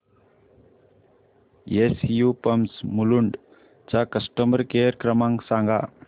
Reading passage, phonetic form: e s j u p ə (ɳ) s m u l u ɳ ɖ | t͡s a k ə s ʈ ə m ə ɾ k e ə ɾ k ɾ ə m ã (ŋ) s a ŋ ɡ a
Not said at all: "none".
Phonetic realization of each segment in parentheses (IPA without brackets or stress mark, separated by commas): m, ŋ